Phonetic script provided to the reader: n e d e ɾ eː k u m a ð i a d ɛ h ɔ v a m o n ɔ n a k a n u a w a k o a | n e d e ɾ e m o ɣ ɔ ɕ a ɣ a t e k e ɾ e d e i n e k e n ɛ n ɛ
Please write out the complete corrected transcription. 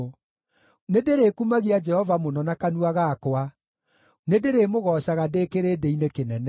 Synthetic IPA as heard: n e d e ɾ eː k u m a ɣ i a d͡ʒ ɛ h ɔ v a m o n ɔ n a k a n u a ɣ a k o a | n e d e ɾ e m o ɣ ɔ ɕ a ɣ a d e k e ɾ e d e i n e k e n ɛ n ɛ